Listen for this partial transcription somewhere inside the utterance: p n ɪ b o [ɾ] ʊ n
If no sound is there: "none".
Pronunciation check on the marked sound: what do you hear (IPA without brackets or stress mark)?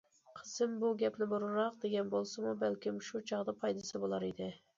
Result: ɾ